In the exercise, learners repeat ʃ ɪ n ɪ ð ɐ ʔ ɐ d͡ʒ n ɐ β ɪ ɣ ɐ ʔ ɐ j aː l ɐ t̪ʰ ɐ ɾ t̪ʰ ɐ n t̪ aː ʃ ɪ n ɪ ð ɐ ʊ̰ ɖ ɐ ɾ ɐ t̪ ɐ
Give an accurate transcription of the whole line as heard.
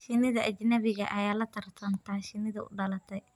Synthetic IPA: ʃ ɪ n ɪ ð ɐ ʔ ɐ d͡ʒ n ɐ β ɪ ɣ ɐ ʔ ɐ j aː l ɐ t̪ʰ ɐ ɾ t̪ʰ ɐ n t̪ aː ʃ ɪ n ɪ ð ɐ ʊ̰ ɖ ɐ l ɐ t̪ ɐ

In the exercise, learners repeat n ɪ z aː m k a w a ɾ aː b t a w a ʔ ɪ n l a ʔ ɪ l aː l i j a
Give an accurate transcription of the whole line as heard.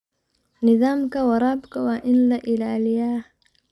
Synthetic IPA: n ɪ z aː m k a w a ɾ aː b k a w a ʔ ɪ n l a ʔ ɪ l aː l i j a

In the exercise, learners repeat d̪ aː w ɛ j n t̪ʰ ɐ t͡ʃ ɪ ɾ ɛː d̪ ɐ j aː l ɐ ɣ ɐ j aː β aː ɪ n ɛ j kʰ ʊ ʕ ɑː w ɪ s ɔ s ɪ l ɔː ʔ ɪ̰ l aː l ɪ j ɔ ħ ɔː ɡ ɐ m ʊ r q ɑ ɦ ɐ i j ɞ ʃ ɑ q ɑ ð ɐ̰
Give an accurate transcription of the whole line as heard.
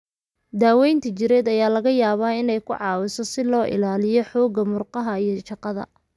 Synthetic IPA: d̪ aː w ɛ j n t̪ʰ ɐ t͡ʃ ɪ ɾ ɛː d̪ ɐ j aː l ɐ ɣ ɐ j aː β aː ɪ n ɛ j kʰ ʊ ʕ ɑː w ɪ s ɔ s ɪ l ɔː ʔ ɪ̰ l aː l ɪ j ɔ ħ ɔː ɡ ɐ m ʊ r q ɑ ɦ ɐ i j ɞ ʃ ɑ q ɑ ð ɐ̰

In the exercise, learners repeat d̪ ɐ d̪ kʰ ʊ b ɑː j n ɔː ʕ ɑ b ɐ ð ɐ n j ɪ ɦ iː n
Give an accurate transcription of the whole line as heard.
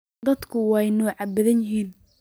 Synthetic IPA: d̪ ɐ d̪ kʰ ʊ w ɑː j n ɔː ʕ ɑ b ɐ ð ɐ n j ɪ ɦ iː n

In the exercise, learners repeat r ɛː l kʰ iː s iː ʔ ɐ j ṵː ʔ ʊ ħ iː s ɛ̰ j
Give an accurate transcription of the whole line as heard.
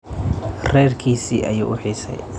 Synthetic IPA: r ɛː r kʰ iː s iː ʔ ɐ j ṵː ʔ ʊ ħ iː s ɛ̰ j

